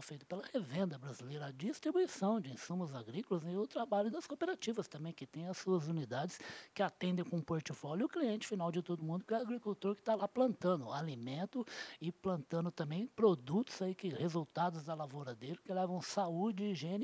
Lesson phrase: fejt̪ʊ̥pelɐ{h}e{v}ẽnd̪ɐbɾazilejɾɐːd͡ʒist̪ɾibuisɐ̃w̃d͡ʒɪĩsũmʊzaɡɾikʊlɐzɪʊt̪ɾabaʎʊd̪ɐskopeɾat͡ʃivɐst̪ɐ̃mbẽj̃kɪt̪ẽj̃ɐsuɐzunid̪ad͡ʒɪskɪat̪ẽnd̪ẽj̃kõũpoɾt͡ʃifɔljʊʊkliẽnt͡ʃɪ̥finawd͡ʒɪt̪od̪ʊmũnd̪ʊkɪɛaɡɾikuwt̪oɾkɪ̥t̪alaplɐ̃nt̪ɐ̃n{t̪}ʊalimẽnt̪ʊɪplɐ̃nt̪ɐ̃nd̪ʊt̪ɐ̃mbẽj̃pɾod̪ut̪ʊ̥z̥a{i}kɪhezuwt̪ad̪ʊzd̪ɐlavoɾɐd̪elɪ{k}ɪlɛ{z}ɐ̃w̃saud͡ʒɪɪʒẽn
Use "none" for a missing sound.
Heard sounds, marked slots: h, v, d̪, i, k, v

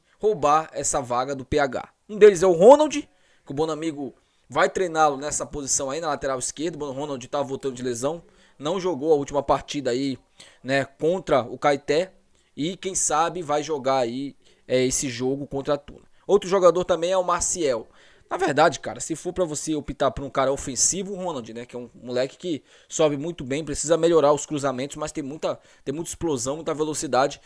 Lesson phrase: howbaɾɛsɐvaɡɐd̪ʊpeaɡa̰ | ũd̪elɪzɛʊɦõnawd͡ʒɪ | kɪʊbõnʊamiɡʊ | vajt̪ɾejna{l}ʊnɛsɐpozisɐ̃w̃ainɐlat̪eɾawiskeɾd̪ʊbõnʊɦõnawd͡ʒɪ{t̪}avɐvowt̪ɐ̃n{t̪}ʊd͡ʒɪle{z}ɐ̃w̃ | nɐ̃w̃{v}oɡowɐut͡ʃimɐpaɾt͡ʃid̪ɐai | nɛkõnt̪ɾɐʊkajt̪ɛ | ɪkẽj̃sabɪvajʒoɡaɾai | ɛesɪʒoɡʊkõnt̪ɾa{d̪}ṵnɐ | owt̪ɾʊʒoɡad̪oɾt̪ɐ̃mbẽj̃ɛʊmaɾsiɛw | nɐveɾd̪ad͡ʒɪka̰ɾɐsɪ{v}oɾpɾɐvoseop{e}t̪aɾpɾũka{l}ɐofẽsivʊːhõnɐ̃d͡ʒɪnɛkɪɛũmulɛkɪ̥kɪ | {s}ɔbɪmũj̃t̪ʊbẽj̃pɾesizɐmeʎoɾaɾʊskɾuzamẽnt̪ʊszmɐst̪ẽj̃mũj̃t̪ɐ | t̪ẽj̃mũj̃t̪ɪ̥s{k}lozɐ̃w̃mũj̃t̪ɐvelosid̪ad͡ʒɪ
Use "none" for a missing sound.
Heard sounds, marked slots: l, t̪, d̪, z, ʒ, t̪, f, i, ɾ, s, p

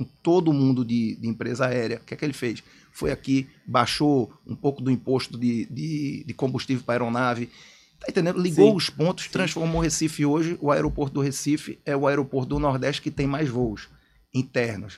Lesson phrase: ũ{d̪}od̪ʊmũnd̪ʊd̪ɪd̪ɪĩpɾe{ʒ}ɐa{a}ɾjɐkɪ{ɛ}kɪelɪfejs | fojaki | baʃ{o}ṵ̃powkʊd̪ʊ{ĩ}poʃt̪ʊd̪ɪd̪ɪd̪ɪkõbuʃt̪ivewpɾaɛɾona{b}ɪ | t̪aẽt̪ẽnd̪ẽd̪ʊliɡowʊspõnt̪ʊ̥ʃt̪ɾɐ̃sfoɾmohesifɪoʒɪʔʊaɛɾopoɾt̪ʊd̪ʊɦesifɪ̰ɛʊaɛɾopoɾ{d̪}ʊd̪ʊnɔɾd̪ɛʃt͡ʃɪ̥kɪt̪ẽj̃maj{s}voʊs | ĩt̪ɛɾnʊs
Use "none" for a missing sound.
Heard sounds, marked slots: t̪, z, ɛ, ɛ, o, ĩ, v, t̪, z

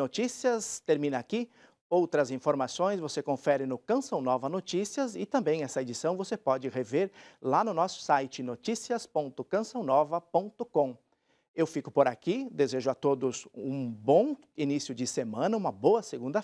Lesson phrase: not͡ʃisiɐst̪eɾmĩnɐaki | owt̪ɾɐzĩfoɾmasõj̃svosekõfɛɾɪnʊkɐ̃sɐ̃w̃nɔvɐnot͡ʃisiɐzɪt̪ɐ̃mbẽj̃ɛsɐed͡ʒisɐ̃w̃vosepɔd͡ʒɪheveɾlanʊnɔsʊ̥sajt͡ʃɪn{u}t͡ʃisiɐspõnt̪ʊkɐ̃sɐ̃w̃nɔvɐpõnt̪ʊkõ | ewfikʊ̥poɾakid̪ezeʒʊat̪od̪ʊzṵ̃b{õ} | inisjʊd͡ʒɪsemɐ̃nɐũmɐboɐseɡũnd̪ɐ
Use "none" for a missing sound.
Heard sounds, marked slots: o, õ

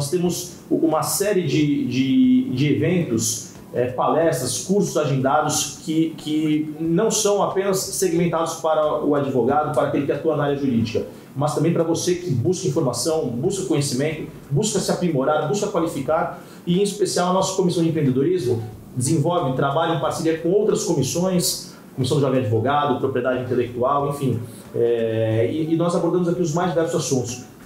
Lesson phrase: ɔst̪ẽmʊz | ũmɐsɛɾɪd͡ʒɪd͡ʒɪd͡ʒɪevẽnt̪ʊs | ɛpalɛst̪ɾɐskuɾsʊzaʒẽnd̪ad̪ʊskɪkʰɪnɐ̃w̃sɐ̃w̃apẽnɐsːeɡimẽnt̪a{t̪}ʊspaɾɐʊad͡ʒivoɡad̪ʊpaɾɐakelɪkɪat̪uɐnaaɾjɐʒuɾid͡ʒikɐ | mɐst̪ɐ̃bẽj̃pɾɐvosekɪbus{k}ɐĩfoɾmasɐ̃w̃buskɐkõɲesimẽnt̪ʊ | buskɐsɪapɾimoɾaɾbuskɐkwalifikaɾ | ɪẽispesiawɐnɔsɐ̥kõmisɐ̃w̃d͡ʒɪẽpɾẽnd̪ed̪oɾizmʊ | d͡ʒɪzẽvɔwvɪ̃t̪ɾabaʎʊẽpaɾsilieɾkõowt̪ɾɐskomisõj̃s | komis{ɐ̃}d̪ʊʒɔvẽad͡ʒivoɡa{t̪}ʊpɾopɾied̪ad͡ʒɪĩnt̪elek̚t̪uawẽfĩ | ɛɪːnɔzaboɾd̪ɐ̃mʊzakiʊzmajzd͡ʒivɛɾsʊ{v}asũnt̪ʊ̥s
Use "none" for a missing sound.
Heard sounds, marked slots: d̪, k, ɐ̃, d̪, z

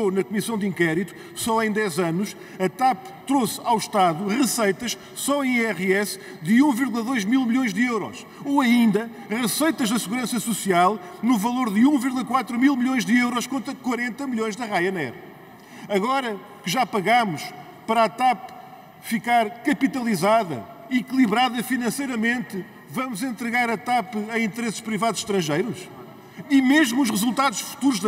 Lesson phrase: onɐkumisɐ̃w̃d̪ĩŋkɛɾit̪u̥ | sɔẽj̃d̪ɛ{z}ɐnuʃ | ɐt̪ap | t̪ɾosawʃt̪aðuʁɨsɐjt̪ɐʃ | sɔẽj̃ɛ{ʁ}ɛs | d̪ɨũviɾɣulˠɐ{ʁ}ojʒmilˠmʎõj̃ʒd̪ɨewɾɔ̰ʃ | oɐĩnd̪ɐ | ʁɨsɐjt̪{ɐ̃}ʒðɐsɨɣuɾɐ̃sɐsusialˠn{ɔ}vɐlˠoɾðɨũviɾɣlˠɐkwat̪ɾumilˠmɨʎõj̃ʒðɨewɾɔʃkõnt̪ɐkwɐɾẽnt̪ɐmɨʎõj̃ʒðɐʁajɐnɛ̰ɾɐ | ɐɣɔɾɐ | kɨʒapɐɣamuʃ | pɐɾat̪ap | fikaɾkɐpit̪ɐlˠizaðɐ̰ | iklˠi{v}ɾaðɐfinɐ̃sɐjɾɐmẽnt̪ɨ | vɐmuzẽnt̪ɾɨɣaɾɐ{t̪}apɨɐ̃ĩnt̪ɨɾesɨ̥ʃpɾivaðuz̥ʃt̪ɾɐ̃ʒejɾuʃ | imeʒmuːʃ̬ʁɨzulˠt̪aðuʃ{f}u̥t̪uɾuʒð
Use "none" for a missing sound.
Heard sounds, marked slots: z, ʁ, ð, ɐ, u, β, t̪, f

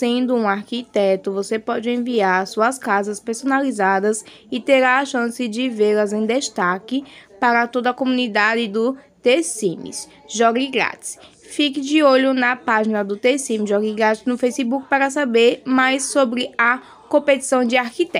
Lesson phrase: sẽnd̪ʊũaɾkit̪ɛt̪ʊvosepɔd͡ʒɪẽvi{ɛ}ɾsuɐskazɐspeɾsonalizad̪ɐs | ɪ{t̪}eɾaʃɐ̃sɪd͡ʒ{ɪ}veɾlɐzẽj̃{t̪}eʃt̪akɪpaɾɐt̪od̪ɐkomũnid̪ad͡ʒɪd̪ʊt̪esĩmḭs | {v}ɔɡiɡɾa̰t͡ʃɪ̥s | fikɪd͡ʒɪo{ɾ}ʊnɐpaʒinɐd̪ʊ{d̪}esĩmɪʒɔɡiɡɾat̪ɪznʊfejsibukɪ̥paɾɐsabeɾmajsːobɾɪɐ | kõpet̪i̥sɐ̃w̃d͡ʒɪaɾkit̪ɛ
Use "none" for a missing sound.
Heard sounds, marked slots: a, t̪, ɪ, d̪, ʒ, ʎ, t̪

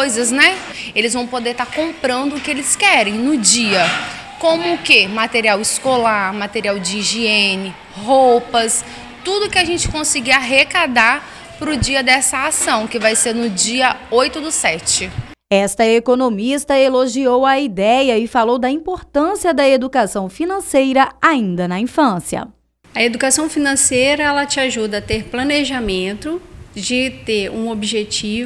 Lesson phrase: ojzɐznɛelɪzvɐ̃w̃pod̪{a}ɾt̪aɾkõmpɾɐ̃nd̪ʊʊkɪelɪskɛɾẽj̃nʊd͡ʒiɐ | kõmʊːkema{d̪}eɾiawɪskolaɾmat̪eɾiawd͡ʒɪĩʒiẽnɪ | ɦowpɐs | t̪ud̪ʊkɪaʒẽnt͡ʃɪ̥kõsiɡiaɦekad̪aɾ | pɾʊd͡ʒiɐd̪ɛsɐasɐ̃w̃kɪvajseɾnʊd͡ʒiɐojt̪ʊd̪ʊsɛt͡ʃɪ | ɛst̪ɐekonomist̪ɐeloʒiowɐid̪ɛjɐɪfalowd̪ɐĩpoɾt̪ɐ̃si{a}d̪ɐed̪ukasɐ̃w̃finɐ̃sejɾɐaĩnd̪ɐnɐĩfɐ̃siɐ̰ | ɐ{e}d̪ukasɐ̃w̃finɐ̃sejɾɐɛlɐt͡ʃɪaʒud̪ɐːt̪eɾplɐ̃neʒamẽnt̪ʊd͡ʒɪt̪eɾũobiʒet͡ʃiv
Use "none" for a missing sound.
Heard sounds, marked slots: e, t̪, ɐ, e

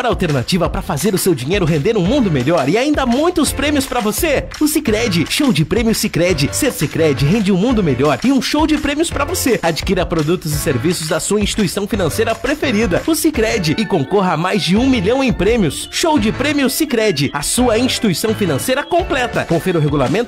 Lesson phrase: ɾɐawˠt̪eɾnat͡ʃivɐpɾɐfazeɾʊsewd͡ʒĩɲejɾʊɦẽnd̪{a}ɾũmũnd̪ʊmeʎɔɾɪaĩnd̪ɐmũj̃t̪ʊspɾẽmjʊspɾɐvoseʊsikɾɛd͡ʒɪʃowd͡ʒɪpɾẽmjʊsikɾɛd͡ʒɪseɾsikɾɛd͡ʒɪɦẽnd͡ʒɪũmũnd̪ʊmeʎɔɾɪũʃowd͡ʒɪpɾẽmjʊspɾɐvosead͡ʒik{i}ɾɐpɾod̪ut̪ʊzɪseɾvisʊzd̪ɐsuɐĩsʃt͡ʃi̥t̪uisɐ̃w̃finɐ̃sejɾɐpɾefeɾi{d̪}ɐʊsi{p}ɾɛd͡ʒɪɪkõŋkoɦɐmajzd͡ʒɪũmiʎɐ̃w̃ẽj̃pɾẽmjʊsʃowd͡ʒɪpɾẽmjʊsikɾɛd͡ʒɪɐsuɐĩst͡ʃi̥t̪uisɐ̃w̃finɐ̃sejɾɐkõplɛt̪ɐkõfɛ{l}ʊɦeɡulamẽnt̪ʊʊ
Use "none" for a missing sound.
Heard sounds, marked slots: e, i, d̪, k, ɾ

